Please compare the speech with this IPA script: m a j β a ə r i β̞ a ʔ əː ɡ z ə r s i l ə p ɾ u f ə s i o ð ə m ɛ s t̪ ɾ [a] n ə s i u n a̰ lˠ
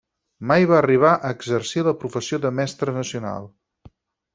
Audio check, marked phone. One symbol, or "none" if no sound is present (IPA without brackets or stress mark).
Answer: ə